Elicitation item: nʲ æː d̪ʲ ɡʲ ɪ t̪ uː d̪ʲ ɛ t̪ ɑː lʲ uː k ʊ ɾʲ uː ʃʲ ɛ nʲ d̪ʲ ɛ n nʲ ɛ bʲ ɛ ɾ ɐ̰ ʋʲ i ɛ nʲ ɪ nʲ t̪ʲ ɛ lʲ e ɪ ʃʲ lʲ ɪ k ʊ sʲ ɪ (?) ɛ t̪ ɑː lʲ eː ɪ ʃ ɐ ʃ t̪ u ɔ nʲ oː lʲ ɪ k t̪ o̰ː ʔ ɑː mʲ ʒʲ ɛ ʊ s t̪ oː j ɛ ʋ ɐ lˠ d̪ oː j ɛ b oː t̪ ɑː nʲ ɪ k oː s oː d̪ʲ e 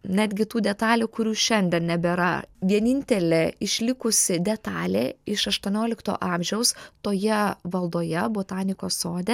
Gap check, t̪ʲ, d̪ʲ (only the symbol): d̪ʲ